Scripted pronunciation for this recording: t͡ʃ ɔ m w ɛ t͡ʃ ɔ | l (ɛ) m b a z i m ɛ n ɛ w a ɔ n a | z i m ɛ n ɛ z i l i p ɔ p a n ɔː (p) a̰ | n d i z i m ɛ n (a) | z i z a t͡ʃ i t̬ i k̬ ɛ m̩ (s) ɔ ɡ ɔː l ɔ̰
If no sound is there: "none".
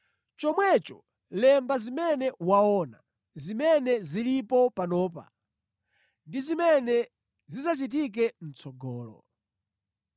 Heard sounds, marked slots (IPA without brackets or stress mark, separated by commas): ɛ, p, ɛ, t͡s